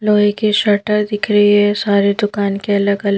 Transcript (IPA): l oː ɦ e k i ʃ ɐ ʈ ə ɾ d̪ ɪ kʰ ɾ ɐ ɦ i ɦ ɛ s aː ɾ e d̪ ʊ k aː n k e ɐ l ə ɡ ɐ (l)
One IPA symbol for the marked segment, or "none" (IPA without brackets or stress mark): l